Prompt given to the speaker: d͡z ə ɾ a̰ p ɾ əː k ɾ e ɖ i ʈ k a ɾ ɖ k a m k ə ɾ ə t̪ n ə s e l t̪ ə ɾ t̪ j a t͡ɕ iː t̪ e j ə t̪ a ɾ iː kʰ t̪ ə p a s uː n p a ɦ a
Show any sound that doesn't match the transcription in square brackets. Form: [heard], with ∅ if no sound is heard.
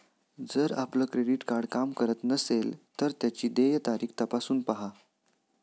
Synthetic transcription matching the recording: d͡z ə ɾ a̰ p [l] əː k ɾ e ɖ i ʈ k a ɾ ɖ k a m k ə ɾ ə t̪ n ə s e l t̪ ə ɾ t̪ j a t͡ɕ iː [d̪] e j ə t̪ a ɾ iː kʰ t̪ ə p a s uː n p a ɦ a